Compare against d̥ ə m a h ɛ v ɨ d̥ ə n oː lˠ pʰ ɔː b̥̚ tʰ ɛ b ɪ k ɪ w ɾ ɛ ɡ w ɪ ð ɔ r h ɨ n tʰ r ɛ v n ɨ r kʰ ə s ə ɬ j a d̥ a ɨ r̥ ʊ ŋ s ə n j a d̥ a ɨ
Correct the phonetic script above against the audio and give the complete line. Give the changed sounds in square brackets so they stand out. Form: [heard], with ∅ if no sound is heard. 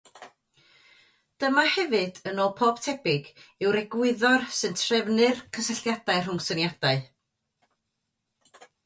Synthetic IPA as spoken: d̥ ə m a h ɛ v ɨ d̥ ə n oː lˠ pʰ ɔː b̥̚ tʰ ɛ b ɪ [ɡ] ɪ w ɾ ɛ ɡ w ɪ ð ɔ r [s] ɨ n tʰ r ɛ v n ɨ r kʰ ə s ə ɬ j a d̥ a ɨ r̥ ʊ ŋ s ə n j a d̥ a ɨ

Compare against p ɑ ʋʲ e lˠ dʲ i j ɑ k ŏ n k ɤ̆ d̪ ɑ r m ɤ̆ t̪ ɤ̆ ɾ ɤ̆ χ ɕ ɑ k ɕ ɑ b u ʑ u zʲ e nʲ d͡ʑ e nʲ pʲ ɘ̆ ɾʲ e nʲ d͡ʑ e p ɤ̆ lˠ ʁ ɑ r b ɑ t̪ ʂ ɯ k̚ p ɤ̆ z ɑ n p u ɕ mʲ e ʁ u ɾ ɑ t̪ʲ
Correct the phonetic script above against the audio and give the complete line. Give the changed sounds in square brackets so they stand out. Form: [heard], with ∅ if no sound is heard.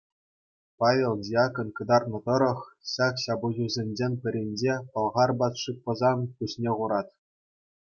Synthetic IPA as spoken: p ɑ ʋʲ e lˠ dʲ i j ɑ k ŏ n k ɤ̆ d̪ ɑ r [n] ɤ̆ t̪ ɤ̆ ɾ ɤ̆ χ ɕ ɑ k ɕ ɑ b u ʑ u zʲ e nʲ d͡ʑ e nʲ pʲ ɘ̆ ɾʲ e nʲ d͡ʑ e p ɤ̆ lˠ ʁ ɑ r b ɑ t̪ ʂ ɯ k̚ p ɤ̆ z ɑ n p u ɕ [nʲ] e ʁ u ɾ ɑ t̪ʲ

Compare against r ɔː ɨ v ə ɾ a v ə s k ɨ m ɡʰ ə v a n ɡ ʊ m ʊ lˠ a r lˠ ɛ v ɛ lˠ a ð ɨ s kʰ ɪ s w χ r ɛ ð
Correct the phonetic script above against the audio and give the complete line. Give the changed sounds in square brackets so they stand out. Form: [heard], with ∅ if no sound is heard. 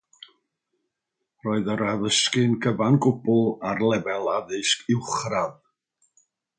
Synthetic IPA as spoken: r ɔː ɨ [ð] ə ɾ a [ð] ə s k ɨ [n] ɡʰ ə v a n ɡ ʊ [b] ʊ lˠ a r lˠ ɛ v ɛ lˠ a ð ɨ s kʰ ɪ [∅] w χ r [a] ð

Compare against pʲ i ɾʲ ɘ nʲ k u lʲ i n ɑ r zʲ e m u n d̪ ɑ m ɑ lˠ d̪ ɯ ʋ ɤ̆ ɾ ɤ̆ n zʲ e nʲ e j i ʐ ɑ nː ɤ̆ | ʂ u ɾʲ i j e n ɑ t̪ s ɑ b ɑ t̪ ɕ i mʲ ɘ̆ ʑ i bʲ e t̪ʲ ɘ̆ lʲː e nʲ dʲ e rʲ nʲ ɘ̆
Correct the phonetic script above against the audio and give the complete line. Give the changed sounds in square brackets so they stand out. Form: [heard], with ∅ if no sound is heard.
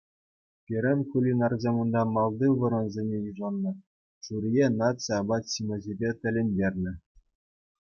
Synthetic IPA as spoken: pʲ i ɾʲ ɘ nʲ k u lʲ i n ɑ r zʲ e m u n d̪ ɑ m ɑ lˠ d̪ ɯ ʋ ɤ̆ ɾ ɤ̆ n zʲ e nʲ e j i ʐ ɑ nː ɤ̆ | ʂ u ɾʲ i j e n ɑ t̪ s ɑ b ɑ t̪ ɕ i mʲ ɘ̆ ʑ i bʲ e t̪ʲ ɘ̆ [lʲ] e nʲ dʲ e rʲ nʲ ɘ̆

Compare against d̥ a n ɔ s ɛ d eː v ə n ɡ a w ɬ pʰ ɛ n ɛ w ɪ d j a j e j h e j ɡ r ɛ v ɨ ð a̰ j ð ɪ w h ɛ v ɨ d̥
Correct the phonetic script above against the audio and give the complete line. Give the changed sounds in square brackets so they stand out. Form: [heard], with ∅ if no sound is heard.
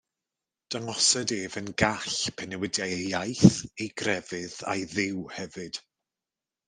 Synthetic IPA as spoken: d̥ a [ŋ] ɔ s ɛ d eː v ə n ɡ a [∅] ɬ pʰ ɛ n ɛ w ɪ d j a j [a] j [θ] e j ɡ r ɛ v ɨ ð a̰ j ð ɪ w h ɛ v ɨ d̥

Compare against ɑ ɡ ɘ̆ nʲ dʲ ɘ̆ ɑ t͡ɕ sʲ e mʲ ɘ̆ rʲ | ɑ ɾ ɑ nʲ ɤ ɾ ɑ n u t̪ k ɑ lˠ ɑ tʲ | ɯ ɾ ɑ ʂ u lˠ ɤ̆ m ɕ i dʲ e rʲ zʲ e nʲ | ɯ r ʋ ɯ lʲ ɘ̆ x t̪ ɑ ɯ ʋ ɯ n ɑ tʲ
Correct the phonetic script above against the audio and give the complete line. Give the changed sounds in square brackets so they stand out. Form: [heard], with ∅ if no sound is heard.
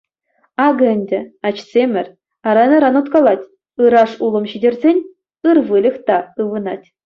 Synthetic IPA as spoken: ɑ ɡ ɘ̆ nʲ dʲ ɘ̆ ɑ t͡ɕ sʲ e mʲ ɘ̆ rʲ | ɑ ɾ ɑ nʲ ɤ ɾ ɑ n u t̪ k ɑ lˠ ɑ tʲ | ɯ ɾ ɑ ʂ u lˠ ɤ̆ m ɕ i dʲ e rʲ zʲ e nʲ | ɯ r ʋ ɯ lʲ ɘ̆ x t̪ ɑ ɯ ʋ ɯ n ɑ tʲ

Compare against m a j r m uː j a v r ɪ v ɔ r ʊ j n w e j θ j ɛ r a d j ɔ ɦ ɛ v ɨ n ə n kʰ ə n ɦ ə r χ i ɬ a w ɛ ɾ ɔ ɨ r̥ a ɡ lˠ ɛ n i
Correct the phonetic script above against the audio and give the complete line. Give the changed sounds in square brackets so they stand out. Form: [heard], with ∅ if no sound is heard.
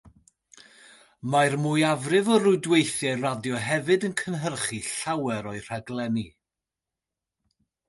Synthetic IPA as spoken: m a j r m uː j a v r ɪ v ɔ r ʊ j [d] w e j θ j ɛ r a d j ɔ ɦ ɛ v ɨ [d] ə n kʰ ə n ɦ ə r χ i ɬ a w ɛ ɾ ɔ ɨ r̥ a ɡ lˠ ɛ n i

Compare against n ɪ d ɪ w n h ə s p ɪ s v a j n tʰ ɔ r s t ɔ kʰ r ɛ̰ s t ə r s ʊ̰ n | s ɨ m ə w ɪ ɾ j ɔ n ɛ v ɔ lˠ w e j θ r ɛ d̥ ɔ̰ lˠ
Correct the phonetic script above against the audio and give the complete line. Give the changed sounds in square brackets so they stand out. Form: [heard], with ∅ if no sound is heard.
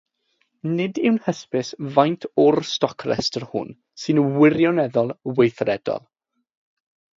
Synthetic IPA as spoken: n ɪ d ɪ w n h ə s p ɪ s v a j n tʰ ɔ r s t ɔ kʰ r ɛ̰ s t ə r [h] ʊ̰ n | s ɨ [n] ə w ɪ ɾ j ɔ n ɛ [ð] ɔ lˠ w e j θ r ɛ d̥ ɔ̰ lˠ

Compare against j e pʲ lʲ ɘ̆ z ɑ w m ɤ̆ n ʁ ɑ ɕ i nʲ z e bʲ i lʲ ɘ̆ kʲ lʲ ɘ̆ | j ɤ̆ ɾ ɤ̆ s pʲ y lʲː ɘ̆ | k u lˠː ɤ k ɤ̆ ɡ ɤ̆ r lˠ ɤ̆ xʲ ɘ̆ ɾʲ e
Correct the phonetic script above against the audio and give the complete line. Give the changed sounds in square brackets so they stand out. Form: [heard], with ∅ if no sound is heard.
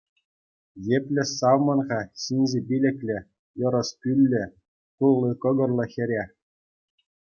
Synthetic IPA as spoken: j e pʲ lʲ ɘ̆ [s] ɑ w m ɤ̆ n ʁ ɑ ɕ i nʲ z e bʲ i lʲ ɘ̆ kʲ lʲ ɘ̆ | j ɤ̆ ɾ ɤ̆ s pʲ y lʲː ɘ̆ | k u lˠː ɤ k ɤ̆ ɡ ɤ̆ r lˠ ɤ̆ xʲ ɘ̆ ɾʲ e

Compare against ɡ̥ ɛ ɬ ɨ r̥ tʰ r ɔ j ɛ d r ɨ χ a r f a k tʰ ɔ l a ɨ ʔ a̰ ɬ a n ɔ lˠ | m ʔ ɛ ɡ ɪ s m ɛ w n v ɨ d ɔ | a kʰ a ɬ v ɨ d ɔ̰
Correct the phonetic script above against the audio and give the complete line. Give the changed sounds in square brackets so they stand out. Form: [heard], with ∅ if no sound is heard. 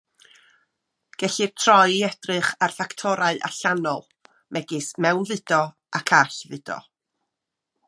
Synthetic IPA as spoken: ɡ̥ ɛ ɬ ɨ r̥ tʰ r ɔ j ɛ d r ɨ χ a r f a k tʰ ɔ [ɾ] a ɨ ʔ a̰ ɬ a n ɔ lˠ | m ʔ ɛ ɡ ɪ s m ɛ w n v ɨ d ɔ | a kʰ a ɬ v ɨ d ɔ̰

